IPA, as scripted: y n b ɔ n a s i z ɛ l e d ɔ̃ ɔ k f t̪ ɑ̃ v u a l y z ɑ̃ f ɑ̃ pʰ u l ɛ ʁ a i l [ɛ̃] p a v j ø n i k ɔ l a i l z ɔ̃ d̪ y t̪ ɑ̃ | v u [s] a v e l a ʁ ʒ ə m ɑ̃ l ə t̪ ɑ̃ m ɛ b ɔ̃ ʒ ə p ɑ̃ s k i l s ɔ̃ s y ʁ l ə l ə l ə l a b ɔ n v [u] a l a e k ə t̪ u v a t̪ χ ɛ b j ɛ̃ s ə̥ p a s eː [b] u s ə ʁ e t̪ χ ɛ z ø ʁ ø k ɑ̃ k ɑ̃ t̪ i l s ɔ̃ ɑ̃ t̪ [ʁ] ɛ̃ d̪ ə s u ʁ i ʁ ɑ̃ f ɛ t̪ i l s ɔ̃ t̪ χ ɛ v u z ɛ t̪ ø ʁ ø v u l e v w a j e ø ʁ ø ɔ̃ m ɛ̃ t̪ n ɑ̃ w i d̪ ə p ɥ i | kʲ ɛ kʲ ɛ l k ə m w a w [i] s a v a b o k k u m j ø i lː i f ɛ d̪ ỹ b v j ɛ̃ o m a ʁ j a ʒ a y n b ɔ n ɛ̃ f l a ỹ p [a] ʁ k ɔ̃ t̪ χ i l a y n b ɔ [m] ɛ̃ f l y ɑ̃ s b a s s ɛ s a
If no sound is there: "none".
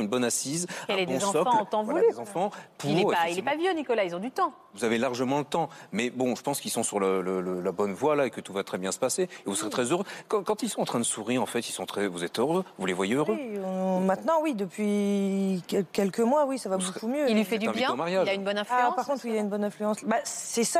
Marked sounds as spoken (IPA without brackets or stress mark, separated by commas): ɛ, z, w, v, χ, i, a, n